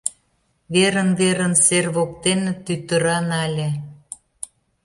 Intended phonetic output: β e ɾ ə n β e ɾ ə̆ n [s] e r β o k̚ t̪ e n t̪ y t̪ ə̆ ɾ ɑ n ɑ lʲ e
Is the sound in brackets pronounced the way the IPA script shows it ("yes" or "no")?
yes